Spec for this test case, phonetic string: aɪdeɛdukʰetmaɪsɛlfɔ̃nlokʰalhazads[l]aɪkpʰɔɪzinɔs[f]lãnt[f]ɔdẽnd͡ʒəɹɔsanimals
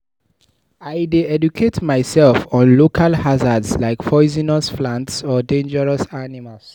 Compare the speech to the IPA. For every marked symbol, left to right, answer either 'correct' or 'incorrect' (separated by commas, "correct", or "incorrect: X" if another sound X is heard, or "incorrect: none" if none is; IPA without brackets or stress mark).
correct, correct, incorrect: s